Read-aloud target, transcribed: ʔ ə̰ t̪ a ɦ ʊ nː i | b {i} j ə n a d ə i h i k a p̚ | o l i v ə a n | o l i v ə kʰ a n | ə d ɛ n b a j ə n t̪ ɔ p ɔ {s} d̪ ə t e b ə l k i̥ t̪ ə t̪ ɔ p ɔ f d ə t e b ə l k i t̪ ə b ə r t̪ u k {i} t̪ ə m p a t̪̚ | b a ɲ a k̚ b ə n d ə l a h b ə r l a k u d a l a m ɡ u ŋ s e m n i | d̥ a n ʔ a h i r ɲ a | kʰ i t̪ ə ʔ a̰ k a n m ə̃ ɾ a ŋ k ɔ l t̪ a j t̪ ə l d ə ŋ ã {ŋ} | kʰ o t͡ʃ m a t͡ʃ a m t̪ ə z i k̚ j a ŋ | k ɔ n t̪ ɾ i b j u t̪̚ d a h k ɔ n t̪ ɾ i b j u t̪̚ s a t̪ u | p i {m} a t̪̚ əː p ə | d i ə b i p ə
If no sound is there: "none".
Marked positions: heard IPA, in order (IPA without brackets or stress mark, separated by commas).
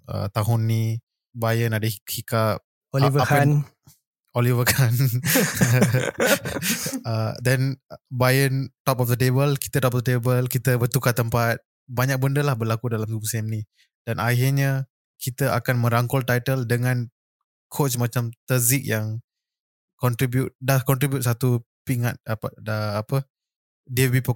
a, f, a, n, ŋ